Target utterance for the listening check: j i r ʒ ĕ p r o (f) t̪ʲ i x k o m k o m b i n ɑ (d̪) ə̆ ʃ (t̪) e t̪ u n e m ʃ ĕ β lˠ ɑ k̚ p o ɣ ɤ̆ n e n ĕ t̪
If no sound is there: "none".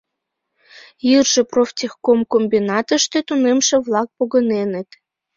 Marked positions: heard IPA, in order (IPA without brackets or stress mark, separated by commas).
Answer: f, t̪, t̪